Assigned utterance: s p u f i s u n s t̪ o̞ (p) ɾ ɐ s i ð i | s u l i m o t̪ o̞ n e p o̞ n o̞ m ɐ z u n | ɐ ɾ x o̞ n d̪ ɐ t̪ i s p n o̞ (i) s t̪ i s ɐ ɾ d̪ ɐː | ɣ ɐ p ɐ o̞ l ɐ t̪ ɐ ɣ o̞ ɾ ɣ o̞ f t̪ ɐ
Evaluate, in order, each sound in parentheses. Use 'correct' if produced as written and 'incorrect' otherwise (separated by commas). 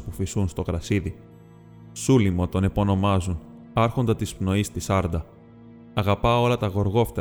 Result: incorrect, correct